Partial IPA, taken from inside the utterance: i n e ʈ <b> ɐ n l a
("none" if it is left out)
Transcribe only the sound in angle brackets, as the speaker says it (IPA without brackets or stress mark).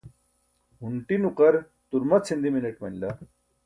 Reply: m